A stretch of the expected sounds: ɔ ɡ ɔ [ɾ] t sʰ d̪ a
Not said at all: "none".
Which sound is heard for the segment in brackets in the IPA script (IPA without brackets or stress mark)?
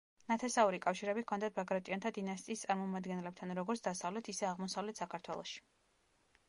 ɾ